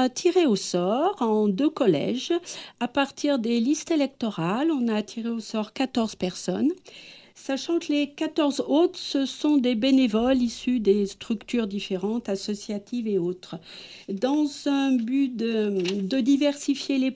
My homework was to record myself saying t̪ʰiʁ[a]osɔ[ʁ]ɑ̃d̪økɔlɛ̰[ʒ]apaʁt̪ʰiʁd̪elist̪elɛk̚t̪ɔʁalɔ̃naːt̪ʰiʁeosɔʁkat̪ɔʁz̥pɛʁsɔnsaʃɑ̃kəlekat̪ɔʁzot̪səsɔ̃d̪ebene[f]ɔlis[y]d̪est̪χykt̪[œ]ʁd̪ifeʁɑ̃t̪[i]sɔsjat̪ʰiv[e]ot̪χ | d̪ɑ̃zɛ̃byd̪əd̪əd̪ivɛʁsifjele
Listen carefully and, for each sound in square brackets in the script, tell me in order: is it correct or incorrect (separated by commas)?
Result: incorrect, correct, correct, incorrect, correct, incorrect, incorrect, correct